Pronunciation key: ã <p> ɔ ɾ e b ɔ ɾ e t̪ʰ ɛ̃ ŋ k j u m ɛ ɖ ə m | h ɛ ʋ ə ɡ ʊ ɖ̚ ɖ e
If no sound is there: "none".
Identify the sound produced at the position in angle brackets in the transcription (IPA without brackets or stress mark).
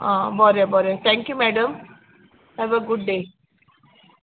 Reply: b